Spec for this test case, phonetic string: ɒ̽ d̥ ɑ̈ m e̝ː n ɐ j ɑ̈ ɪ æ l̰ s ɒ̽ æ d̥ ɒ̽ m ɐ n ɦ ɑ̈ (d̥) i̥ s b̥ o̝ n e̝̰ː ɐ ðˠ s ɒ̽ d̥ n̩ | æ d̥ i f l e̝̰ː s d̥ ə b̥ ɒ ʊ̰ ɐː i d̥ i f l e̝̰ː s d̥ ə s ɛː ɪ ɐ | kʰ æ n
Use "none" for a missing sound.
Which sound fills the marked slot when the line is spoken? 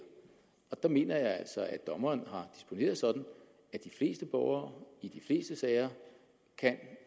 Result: d̥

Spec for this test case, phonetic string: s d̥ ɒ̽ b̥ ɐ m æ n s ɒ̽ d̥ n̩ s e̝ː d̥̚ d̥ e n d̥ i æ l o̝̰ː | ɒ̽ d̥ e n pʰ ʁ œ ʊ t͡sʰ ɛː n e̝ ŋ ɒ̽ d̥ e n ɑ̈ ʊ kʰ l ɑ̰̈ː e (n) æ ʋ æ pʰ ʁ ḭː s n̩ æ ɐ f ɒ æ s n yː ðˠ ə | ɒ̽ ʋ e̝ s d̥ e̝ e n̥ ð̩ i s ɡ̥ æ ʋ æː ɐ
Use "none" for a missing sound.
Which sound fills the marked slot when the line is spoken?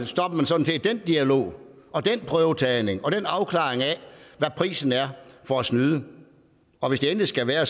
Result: ŋ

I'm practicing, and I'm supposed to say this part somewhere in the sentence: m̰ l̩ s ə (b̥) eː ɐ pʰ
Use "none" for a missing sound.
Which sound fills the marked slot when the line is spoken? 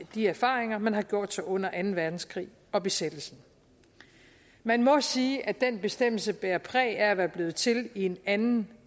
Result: b̥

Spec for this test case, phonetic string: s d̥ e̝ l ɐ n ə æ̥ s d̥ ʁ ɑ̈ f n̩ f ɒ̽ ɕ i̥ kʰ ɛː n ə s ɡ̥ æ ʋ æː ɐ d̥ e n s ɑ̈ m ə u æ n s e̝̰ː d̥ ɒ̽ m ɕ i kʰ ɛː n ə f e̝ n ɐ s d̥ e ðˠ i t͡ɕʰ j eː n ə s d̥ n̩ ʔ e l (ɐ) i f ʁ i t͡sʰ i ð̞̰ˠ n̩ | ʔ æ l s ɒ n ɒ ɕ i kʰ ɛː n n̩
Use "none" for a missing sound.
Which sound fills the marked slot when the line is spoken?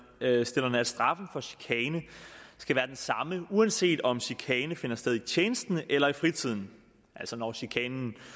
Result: ɐ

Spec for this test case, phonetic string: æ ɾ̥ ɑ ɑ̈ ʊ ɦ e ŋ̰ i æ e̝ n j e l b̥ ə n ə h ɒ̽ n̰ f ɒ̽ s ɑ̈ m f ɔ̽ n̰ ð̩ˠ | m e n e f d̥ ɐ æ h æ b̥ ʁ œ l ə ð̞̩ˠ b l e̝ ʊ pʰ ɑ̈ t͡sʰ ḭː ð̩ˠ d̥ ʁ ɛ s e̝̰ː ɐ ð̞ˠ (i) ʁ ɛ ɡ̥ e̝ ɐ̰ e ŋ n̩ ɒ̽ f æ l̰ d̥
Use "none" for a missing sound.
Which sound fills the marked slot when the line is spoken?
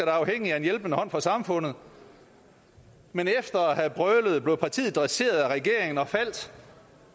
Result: æ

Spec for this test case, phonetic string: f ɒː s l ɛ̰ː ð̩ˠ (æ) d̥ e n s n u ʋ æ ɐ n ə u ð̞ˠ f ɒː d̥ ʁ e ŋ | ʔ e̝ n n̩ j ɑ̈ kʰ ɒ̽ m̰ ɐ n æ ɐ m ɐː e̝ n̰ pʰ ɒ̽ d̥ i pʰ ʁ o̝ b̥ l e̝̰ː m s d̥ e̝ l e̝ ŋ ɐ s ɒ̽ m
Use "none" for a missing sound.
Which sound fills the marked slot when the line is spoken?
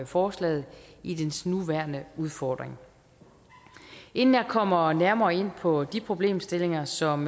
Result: i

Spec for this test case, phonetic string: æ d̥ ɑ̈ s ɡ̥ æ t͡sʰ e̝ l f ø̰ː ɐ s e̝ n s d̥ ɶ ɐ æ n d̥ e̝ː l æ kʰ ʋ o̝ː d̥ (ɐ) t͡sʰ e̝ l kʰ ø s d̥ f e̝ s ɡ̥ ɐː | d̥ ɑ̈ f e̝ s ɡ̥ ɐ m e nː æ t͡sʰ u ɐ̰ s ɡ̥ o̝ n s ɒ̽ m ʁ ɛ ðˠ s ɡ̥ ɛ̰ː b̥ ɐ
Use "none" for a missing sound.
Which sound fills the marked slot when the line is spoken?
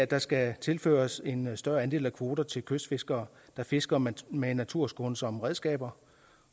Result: ɐ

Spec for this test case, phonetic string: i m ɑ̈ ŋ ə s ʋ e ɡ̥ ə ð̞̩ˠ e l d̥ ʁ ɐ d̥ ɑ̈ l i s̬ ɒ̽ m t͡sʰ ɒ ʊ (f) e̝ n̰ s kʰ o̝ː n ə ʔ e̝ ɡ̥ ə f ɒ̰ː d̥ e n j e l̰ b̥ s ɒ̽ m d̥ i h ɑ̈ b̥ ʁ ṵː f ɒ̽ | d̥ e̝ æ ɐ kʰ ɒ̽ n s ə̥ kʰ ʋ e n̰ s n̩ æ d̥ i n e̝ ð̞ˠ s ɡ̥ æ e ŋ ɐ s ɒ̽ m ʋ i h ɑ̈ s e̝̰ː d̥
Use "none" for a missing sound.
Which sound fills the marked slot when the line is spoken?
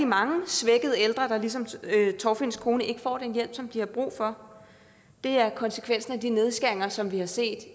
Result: f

